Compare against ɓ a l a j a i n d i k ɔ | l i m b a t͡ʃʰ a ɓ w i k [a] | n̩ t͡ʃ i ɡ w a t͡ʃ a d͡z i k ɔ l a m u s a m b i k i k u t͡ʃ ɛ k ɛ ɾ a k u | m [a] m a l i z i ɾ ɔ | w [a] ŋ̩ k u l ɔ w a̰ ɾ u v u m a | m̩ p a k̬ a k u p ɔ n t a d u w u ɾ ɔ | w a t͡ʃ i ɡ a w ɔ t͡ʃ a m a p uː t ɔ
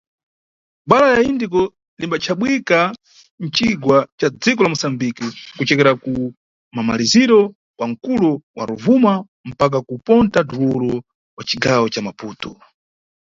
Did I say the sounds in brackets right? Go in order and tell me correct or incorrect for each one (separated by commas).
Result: correct, correct, correct